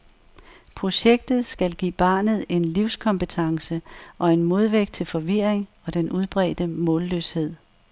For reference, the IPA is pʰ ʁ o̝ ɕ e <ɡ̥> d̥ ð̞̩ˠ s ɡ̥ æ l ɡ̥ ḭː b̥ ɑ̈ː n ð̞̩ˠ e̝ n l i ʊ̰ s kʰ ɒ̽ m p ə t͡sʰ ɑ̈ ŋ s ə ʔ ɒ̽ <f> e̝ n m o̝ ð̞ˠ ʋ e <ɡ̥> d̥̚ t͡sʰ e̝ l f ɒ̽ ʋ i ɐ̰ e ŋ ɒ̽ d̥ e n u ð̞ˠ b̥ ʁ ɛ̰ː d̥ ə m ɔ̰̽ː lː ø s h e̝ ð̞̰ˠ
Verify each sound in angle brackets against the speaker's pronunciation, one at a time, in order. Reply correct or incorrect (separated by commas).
correct, incorrect, correct